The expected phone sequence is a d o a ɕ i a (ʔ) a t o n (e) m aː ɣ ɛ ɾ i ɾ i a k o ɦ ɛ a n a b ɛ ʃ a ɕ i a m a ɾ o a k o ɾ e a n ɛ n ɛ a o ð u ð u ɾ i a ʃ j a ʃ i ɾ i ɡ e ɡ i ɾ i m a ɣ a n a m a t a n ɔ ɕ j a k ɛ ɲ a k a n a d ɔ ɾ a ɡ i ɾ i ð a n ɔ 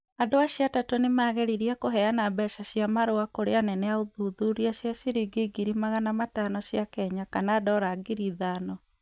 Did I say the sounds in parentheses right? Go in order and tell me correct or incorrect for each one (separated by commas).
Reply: incorrect, correct